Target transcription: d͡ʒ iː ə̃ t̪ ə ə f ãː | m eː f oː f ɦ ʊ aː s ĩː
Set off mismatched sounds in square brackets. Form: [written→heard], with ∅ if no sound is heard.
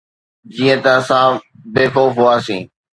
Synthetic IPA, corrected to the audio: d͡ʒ iː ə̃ t̪ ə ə [f→s] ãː | [m→b] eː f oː f ɦ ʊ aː s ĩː